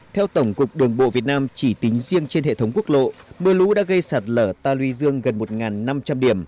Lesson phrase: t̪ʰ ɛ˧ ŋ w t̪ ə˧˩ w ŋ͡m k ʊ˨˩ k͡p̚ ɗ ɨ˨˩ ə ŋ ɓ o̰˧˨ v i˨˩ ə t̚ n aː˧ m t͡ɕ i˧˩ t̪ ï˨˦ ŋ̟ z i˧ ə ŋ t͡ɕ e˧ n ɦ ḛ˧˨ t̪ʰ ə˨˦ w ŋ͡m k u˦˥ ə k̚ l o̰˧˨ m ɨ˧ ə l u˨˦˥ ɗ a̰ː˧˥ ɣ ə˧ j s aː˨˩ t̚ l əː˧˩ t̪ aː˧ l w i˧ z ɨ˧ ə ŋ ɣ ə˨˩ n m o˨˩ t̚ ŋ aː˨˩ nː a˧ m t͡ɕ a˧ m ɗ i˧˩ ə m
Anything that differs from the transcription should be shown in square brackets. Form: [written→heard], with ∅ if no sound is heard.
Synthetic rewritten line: t̪ʰ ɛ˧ [ŋ→∅] w t̪ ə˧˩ w ŋ͡m k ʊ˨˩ k͡p̚ ɗ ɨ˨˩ ə ŋ ɓ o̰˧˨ v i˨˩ ə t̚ n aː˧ m t͡ɕ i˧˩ t̪ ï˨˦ ŋ̟ z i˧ ə ŋ t͡ɕ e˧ n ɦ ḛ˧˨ t̪ʰ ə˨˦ w ŋ͡m k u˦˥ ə k̚ l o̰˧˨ m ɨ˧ ə l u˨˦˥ ɗ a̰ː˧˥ ɣ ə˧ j s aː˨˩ t̚ l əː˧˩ t̪ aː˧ l w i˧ z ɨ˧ ə ŋ ɣ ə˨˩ n m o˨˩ t̚ ŋ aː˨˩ nː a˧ m t͡ɕ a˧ m ɗ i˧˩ ə m